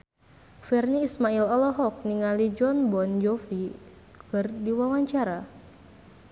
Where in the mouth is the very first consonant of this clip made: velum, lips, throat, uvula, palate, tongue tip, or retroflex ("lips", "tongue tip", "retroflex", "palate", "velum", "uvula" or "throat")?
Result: lips